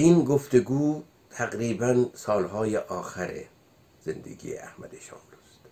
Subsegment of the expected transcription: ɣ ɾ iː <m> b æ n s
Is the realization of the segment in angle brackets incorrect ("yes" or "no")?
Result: yes